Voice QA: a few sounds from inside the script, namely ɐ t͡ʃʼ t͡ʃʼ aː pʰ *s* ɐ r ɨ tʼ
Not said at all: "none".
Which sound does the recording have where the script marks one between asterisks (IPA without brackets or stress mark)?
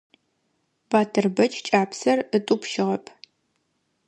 s